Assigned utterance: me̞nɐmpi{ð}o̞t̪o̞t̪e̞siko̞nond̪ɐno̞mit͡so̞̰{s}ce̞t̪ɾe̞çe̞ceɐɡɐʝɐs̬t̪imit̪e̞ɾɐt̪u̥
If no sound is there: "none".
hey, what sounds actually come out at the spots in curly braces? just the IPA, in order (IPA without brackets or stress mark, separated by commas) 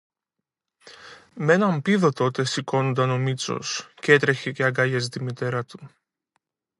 ð, s